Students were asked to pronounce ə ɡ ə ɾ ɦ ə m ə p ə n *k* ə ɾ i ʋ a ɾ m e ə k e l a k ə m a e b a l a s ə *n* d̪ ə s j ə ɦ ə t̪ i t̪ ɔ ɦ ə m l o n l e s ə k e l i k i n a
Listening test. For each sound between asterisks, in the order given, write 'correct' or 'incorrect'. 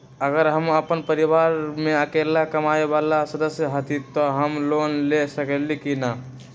incorrect: p, incorrect: none

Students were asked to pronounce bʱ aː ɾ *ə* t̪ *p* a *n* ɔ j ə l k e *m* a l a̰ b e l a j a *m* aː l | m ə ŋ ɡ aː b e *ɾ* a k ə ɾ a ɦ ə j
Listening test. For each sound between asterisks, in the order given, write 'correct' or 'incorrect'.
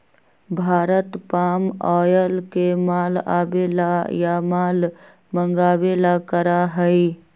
correct, correct, incorrect: m, correct, correct, incorrect: l

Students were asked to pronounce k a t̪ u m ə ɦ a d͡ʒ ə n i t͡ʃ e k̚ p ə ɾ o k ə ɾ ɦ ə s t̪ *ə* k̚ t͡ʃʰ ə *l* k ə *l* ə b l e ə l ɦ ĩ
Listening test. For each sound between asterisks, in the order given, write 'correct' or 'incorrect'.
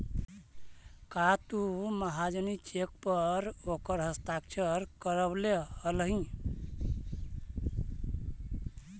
incorrect: a, incorrect: ɾ, incorrect: ɾ

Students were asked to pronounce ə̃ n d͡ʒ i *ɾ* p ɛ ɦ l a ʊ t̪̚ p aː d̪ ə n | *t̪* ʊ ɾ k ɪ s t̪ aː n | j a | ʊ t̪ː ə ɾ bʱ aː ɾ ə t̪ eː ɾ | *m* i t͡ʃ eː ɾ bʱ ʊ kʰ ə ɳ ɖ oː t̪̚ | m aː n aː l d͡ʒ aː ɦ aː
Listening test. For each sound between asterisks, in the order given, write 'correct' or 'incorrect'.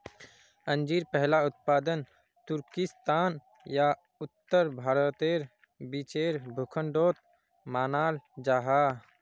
correct, correct, incorrect: b

